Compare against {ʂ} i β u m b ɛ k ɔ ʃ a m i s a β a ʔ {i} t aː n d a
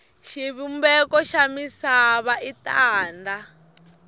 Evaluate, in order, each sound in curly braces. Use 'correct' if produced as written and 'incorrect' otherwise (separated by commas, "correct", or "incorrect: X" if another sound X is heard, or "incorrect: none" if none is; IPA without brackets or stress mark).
incorrect: ʃ, correct